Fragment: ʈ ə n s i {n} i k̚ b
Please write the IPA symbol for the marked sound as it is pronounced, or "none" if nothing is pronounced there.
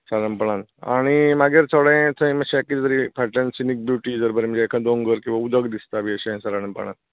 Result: n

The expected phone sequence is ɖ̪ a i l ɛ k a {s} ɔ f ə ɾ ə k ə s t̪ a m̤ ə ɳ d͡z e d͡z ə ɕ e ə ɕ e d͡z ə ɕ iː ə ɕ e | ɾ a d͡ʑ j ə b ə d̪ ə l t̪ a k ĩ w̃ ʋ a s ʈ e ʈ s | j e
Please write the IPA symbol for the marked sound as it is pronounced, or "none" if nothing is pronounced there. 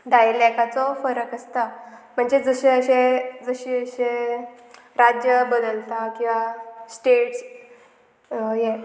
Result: t͡s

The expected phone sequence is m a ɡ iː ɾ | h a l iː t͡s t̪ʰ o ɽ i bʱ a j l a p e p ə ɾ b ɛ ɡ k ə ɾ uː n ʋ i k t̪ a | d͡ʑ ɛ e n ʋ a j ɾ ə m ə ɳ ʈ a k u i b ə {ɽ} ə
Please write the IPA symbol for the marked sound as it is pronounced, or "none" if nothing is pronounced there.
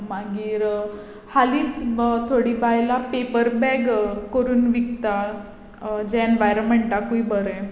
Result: ɾ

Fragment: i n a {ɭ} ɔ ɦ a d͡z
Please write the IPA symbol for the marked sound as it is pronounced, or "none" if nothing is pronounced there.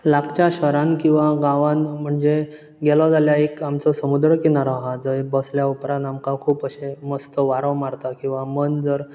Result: ɾ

